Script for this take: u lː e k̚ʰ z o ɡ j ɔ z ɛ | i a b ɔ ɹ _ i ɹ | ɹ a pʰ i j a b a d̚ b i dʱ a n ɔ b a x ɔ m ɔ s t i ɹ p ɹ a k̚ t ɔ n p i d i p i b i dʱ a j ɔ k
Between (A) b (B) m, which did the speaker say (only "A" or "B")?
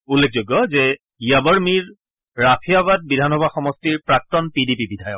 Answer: B